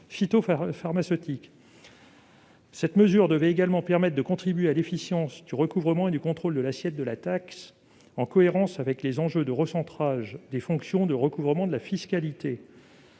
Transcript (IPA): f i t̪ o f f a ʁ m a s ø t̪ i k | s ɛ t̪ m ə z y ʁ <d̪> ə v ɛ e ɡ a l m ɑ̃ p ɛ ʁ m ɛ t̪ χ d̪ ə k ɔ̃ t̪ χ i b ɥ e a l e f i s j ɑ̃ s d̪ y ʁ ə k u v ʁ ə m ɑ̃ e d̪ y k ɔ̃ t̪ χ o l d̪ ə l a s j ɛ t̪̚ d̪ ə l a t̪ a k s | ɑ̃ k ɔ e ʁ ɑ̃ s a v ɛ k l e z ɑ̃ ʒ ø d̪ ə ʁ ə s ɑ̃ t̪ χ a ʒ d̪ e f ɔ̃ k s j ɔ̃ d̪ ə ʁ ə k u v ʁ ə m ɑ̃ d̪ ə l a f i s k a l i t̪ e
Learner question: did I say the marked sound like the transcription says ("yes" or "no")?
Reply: yes